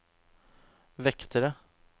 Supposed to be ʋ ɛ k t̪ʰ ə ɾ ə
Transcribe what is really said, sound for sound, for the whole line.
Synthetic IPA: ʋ ɛ k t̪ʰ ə ɾ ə